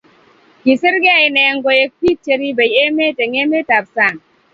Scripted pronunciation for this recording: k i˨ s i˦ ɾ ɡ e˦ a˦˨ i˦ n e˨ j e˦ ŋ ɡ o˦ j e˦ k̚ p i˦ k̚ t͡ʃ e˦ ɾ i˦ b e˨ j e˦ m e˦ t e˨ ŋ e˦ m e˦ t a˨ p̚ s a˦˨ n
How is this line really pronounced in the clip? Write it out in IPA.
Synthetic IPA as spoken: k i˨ s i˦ ɾ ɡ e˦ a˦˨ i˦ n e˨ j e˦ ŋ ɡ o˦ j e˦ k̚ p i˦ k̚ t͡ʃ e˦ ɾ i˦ b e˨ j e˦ m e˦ t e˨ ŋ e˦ m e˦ t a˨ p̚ s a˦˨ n